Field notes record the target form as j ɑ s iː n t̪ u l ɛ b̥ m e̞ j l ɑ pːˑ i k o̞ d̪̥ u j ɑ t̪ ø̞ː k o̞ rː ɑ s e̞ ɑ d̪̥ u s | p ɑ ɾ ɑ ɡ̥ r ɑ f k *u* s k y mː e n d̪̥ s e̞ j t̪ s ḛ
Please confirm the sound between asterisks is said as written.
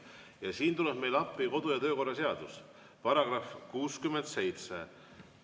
no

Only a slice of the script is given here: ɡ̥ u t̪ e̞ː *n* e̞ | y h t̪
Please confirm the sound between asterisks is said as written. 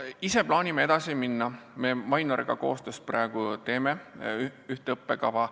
no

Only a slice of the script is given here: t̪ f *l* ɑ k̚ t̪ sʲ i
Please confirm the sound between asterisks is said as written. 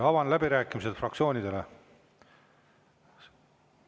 no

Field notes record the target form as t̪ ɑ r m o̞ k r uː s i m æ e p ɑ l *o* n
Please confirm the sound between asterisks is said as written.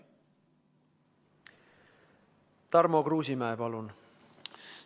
no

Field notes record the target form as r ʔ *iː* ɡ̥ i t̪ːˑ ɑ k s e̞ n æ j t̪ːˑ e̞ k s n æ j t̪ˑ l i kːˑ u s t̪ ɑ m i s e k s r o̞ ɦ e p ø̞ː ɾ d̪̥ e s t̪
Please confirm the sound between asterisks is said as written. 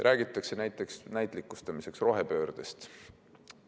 no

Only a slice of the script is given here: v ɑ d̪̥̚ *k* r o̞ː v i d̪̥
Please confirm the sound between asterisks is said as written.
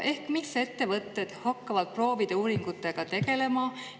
no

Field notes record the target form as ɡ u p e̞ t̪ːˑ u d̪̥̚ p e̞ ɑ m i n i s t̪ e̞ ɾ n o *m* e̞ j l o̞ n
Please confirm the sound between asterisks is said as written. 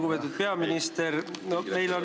yes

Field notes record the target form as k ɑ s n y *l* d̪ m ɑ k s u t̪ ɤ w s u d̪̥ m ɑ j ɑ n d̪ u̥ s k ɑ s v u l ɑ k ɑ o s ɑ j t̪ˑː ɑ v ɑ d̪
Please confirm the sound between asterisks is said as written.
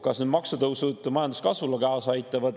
no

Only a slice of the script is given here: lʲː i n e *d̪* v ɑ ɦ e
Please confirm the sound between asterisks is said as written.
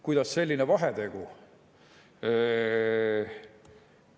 no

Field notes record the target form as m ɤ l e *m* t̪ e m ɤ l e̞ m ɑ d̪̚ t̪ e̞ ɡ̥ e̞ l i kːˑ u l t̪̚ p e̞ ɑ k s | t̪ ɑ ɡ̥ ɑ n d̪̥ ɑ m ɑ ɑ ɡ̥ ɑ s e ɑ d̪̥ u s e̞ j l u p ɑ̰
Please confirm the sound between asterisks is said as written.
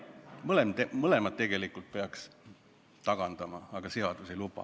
yes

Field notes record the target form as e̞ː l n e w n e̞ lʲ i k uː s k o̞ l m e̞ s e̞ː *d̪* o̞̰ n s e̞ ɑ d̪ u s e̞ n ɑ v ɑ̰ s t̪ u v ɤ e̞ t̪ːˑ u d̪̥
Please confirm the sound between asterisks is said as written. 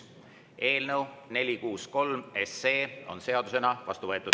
no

